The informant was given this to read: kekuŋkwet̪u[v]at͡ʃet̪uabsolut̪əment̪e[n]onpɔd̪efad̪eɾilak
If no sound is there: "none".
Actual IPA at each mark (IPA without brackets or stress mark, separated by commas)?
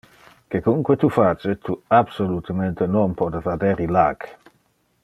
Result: f, n